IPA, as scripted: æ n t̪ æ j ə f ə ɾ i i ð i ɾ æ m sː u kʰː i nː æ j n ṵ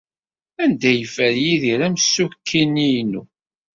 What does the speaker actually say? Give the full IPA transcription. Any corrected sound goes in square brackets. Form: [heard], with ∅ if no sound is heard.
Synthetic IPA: æ n [d̪] æ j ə f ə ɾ [j] i ð i ɾ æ m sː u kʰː i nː [i] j n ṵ